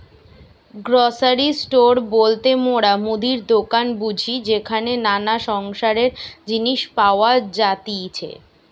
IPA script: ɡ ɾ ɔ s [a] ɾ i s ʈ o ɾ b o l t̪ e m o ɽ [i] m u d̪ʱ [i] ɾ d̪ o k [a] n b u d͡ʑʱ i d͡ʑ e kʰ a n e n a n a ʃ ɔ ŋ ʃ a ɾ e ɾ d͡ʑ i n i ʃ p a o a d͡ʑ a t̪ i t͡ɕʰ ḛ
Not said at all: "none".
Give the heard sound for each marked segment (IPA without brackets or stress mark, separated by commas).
a, a, i, a